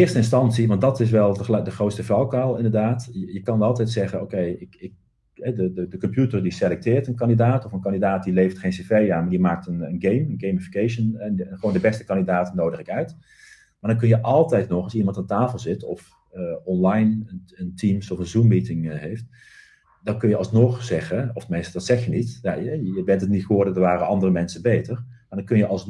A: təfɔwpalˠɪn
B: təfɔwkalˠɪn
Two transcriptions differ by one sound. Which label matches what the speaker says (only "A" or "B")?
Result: B